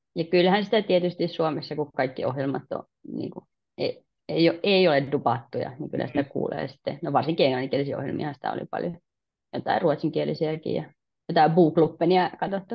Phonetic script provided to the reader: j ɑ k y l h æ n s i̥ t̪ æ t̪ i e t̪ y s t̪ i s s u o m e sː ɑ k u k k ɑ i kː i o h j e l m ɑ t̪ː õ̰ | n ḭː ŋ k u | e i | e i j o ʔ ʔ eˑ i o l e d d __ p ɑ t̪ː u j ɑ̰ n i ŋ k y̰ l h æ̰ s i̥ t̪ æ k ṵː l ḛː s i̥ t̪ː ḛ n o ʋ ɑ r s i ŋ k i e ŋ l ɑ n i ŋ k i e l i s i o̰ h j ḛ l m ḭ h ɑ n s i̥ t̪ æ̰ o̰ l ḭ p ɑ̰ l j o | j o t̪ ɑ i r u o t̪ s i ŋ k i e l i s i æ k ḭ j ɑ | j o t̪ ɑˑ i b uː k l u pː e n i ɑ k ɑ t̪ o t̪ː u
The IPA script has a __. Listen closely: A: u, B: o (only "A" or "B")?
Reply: A